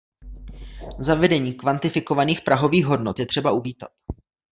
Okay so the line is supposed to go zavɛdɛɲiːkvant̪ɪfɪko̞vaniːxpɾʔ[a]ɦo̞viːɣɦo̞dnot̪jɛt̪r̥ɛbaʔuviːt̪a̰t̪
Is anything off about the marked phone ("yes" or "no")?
no